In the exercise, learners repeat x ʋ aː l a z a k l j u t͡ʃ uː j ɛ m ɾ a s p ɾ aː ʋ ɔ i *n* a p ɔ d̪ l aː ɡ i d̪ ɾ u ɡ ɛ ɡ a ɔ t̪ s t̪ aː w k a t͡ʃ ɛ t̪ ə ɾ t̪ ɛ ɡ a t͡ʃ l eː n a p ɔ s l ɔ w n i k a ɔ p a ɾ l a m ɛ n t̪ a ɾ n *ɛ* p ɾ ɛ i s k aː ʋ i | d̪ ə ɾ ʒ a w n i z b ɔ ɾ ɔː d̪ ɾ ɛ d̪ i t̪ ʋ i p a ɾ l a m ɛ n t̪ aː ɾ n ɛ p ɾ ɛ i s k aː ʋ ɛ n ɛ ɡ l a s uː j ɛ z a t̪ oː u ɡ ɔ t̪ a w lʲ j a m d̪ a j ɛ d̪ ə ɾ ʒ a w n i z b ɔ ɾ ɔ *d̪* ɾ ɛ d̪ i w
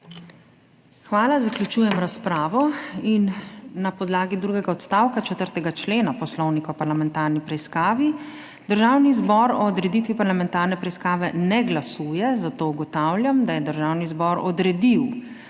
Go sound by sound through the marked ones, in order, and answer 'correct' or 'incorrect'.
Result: incorrect: nː, incorrect: i, correct

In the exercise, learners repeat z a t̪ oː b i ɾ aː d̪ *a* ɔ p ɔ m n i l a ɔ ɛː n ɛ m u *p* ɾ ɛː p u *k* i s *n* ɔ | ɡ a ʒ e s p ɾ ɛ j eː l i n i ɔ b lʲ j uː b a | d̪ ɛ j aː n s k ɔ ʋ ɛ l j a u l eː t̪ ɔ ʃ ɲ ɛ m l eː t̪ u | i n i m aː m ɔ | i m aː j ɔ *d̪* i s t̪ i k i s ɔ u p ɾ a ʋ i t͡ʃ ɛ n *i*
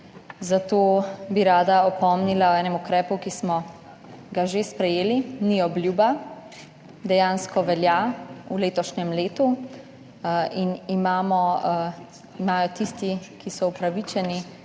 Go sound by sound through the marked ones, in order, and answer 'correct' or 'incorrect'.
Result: correct, incorrect: k, correct, incorrect: m, incorrect: t̪, correct

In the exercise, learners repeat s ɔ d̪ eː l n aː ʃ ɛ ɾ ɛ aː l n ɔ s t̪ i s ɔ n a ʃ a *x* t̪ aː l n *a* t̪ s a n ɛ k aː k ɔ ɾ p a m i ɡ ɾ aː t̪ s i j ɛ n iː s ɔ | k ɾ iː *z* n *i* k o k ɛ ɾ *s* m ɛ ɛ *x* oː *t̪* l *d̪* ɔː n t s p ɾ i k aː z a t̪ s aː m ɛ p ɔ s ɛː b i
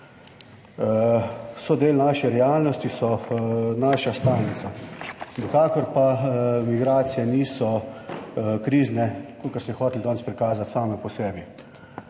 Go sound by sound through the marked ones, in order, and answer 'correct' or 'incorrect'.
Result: incorrect: s, incorrect: i, correct, incorrect: ɛ, correct, correct, correct, correct

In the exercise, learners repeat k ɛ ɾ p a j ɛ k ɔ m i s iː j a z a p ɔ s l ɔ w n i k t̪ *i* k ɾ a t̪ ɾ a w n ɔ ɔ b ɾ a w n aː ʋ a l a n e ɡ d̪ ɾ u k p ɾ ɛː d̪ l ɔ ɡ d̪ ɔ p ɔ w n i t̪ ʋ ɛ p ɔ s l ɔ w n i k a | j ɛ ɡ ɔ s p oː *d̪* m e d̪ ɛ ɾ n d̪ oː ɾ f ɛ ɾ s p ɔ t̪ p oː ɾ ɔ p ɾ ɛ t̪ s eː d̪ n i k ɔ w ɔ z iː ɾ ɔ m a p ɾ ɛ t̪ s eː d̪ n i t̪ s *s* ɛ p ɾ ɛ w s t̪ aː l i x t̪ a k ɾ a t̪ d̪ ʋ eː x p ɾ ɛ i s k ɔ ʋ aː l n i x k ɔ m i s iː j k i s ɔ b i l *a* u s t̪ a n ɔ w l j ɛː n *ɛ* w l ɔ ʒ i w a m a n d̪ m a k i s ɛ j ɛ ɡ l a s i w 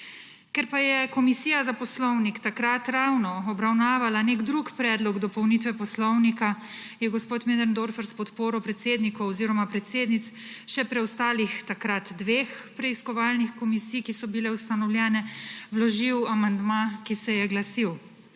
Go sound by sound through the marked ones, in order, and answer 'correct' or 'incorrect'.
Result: incorrect: a, incorrect: t̪, incorrect: ʃ, incorrect: ɛ, correct

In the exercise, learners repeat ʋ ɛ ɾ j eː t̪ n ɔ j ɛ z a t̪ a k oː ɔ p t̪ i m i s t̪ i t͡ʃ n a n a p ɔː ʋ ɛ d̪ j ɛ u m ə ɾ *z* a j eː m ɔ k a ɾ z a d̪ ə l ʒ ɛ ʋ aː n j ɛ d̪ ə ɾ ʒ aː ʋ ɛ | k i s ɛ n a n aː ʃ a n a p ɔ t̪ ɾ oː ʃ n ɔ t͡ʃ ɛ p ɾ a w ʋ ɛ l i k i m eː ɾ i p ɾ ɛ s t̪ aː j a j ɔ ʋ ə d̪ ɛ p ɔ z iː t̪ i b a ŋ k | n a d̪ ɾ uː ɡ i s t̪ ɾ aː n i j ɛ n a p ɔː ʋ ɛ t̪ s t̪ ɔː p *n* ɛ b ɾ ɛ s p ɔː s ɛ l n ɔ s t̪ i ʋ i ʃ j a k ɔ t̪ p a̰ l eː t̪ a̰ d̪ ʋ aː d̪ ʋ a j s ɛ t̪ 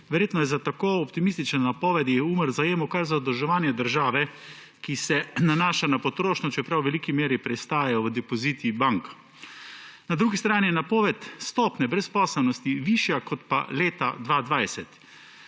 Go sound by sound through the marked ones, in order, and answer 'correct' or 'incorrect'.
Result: correct, correct

